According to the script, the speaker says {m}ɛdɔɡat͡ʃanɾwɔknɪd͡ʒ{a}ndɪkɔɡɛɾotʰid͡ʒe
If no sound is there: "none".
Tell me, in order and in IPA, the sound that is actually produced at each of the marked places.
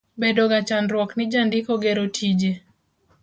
b, a

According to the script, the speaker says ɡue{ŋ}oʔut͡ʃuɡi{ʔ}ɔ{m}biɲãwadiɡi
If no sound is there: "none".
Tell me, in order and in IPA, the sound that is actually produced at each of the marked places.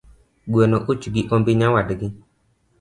n, ʔ, m

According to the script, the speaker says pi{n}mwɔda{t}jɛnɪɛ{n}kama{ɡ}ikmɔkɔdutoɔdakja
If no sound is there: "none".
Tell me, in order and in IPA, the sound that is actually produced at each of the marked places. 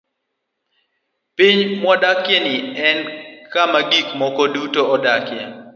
ɲ, k, n, ɡ

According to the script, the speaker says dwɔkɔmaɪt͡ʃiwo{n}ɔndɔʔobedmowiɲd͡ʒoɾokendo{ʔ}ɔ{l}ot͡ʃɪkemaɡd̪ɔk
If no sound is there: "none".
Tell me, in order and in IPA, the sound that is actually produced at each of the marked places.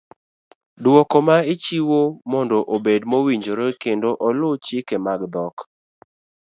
m, ʔ, l

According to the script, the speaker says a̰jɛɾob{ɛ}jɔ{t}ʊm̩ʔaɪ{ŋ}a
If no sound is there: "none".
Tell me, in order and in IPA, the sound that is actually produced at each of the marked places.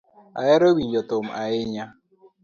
i, t, ɲ

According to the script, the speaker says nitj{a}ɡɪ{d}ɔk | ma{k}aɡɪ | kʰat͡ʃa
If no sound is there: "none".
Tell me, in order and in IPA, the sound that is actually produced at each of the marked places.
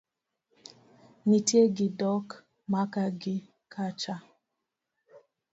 e, d, k

